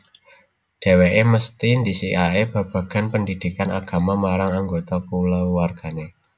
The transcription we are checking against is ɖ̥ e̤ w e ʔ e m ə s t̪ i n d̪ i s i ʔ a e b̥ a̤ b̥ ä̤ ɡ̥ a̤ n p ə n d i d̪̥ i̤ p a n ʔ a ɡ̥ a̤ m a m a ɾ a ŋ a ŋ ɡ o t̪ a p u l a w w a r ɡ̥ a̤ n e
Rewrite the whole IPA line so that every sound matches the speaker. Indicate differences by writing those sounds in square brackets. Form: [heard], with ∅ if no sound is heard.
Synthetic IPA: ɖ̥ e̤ w e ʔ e m ə s t̪ i n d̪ i s i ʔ a e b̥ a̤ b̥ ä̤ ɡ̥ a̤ n p ə n d i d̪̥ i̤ [k] a n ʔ a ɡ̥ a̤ m a m a ɾ a ŋ a ŋ ɡ o t̪ a p u l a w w a r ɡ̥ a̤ n e